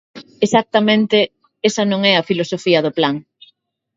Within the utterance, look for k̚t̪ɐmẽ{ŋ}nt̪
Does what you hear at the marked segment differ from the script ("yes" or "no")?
yes